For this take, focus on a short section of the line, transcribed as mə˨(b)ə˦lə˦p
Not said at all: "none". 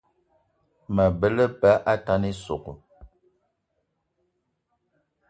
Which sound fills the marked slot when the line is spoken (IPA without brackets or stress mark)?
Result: b